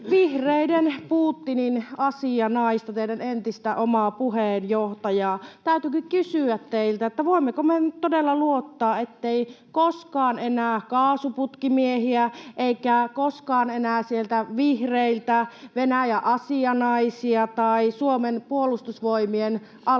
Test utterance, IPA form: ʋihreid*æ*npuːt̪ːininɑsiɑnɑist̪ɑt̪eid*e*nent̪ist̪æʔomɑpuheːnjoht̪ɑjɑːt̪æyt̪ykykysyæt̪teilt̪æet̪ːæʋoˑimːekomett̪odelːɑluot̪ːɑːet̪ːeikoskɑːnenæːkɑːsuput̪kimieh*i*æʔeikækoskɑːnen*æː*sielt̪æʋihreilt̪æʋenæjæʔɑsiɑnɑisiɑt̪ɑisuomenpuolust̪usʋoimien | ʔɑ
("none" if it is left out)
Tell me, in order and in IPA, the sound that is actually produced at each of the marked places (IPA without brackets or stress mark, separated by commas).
e, æ, i, æː